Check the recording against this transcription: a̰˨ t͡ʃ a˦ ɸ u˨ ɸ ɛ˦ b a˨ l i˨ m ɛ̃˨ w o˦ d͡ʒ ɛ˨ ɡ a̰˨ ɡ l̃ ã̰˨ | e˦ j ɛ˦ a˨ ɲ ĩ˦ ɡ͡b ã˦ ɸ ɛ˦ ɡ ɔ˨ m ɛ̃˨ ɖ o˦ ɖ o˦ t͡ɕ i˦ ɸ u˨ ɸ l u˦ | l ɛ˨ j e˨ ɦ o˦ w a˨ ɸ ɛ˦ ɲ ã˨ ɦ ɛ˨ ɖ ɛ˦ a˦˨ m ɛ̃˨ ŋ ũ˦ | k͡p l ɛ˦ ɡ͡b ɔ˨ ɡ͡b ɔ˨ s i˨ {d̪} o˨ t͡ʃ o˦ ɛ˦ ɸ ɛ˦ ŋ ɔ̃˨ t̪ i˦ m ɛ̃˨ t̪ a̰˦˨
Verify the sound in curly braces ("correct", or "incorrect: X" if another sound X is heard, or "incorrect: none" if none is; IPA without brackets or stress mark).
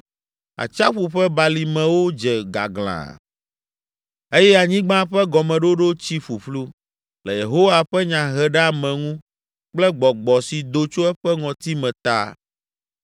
correct